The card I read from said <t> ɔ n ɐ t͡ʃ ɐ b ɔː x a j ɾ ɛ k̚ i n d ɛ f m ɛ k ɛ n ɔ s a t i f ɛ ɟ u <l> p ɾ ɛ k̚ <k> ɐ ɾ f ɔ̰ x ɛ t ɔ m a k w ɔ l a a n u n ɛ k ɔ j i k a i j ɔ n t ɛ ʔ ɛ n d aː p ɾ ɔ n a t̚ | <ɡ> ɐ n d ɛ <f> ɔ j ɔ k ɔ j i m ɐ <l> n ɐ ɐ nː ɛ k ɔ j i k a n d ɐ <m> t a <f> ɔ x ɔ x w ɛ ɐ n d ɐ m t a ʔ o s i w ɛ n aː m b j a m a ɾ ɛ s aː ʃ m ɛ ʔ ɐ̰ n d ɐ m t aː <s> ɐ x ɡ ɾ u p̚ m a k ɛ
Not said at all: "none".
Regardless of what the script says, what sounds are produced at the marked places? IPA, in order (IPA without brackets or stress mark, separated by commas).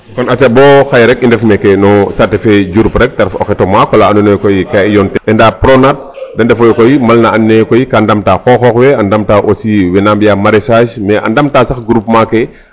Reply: k, ɾ, t, d, f, l, m, x, s